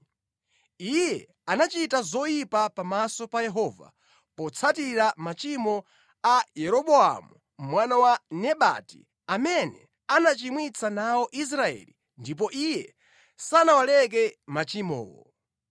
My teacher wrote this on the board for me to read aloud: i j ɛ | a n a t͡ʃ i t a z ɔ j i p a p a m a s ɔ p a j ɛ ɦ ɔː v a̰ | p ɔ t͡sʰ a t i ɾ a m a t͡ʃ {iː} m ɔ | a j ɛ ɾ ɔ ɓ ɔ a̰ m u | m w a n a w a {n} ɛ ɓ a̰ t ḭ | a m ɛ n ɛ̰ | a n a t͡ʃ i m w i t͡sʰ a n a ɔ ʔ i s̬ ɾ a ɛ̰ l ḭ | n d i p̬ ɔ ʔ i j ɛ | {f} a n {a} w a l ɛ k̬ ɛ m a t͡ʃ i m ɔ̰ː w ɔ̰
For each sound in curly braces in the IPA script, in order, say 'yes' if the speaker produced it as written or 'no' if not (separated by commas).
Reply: no, yes, no, yes